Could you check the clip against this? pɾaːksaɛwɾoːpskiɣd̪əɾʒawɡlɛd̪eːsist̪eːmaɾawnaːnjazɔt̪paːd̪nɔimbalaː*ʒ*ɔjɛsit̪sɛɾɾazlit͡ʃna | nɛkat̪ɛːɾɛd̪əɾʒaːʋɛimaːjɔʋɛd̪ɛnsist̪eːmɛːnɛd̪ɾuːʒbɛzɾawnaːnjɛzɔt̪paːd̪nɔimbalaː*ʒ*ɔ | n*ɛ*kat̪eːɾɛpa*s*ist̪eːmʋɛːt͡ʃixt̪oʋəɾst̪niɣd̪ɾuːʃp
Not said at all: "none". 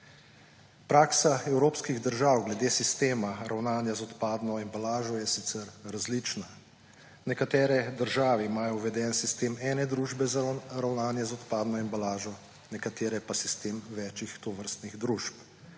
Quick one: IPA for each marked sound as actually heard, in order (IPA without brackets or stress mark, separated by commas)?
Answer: ʒ, ʒ, ɛ, s